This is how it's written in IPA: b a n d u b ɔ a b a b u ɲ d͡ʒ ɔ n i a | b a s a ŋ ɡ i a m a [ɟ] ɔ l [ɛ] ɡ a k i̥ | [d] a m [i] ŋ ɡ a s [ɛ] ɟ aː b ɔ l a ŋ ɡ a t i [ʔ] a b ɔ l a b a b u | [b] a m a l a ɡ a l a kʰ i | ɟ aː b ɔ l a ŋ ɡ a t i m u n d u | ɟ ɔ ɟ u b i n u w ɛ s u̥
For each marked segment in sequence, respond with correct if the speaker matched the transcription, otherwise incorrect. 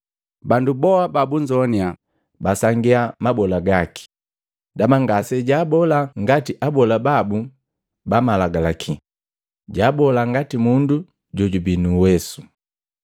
incorrect: b, incorrect: a, correct, incorrect: a, correct, correct, correct

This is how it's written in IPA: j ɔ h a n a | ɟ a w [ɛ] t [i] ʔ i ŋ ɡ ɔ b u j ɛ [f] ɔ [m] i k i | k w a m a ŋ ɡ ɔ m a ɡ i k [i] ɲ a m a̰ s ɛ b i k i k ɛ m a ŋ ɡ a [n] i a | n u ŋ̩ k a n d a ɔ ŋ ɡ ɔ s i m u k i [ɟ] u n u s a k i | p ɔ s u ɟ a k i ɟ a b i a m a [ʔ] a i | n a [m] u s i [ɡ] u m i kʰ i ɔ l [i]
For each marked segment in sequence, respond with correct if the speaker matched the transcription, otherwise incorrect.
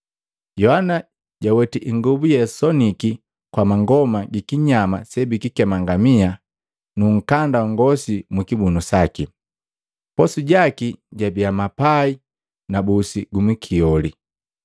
correct, correct, incorrect: s, incorrect: n, correct, incorrect: m, incorrect: b, incorrect: p, incorrect: b, correct, correct

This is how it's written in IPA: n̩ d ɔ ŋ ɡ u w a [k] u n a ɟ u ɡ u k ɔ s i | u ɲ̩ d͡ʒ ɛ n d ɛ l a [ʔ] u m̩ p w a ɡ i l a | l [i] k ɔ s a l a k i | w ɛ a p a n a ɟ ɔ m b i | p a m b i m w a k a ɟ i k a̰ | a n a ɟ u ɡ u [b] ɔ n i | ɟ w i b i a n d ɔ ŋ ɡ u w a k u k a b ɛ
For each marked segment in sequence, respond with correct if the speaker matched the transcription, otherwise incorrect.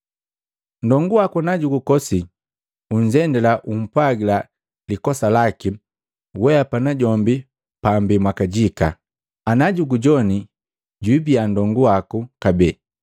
correct, correct, correct, incorrect: ɟ

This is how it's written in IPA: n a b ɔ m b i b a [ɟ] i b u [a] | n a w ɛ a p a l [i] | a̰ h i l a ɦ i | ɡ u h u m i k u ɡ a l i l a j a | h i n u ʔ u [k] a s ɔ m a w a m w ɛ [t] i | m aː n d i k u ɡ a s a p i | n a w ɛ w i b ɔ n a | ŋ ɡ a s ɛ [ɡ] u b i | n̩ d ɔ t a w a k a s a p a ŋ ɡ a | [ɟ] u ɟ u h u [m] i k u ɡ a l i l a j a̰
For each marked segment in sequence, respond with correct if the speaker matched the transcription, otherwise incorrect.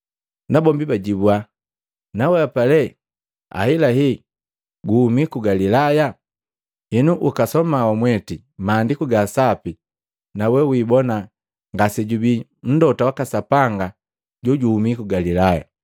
correct, correct, incorrect: ɛ, correct, correct, incorrect: ɟ, correct, correct

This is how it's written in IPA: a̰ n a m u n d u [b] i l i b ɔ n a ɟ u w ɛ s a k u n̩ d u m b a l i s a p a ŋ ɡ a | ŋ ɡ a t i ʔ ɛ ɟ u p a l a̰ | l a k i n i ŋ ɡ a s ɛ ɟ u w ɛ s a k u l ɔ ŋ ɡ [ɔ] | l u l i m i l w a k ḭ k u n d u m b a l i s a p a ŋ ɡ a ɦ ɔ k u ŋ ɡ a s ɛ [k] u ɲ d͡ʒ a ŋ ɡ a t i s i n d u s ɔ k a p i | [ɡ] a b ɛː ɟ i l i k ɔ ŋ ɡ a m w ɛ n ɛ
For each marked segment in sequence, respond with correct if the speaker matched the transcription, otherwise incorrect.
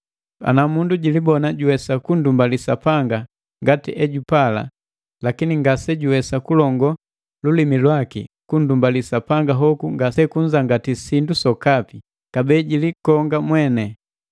incorrect: ɟ, correct, correct, incorrect: k

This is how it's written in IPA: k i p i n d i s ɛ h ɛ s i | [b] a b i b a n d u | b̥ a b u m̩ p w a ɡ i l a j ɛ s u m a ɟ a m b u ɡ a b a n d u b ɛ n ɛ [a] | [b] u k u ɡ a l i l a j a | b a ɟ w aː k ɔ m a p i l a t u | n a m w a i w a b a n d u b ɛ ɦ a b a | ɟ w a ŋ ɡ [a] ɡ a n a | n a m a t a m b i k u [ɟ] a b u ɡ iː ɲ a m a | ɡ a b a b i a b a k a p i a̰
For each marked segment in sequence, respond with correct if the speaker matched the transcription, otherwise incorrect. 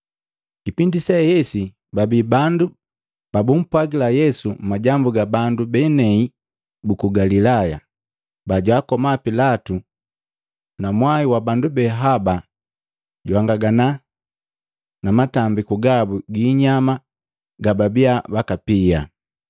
correct, incorrect: i, correct, correct, incorrect: ɡ

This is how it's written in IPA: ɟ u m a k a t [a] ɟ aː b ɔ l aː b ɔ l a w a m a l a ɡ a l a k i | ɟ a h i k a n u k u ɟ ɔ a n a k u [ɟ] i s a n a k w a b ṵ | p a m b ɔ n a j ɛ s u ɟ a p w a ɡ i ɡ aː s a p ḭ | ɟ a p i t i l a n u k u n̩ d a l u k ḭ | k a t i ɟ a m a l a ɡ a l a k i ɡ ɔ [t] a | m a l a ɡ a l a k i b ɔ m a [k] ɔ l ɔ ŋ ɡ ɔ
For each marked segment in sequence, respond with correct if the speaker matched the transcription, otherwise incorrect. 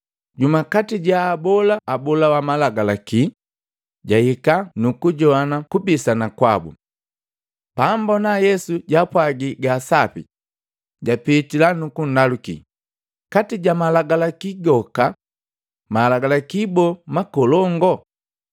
incorrect: i, incorrect: b, incorrect: k, correct

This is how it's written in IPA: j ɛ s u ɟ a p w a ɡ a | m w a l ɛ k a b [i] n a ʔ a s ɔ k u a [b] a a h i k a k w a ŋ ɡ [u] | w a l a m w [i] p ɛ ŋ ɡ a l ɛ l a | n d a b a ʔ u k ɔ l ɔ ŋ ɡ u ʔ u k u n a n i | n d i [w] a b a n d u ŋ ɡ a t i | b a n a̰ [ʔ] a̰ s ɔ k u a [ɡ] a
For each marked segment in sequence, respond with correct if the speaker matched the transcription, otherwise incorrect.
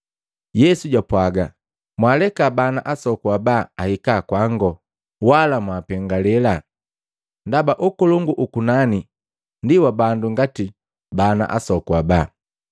incorrect: a, correct, incorrect: ɔ, incorrect: a, correct, correct, incorrect: b

